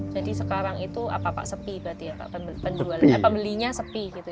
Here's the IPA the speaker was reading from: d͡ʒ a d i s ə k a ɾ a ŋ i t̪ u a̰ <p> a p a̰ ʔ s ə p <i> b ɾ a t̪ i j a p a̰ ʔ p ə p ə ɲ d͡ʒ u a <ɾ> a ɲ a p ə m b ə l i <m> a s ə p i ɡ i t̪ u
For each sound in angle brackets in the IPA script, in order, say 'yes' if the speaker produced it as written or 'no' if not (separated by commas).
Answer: yes, yes, no, no